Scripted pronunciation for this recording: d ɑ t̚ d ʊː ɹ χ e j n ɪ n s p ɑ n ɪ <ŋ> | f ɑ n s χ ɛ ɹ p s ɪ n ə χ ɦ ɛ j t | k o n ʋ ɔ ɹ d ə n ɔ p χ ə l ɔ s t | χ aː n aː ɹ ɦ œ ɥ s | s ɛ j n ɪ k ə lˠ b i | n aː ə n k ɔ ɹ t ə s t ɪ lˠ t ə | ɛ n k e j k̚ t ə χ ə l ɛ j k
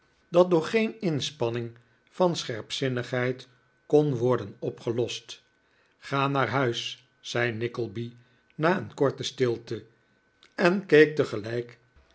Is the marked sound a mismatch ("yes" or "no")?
no